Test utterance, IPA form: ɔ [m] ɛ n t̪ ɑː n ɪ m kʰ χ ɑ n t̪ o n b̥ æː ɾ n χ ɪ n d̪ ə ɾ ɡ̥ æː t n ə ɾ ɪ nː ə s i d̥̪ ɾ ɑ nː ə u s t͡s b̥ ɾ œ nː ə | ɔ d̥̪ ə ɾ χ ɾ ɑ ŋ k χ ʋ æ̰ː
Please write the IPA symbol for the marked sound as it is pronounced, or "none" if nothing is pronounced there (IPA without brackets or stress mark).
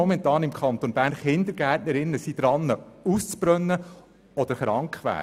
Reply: m